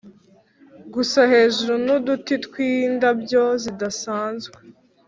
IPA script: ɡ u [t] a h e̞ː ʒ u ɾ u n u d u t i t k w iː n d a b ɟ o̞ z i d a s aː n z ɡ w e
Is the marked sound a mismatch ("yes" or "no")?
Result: yes